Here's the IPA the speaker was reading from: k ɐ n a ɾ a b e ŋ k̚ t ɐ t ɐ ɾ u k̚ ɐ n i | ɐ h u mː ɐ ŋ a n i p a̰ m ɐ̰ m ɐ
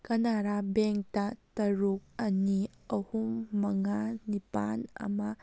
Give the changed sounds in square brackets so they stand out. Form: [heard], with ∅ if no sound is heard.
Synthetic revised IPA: k ɐ n a ɾ a b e ŋ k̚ t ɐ t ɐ ɾ u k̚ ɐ n i | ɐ h u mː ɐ ŋ a n i p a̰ [n] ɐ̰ m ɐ